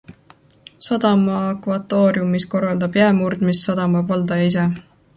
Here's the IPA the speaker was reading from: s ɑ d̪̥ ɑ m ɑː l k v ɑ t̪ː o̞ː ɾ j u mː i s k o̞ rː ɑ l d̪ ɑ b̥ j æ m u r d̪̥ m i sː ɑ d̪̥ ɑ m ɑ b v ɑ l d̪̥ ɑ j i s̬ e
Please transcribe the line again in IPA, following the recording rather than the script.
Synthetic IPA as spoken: s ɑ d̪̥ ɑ m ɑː k v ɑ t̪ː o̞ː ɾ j u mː i s k o̞ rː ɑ l d̪ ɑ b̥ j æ m u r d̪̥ m i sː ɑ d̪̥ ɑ m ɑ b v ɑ l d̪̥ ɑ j i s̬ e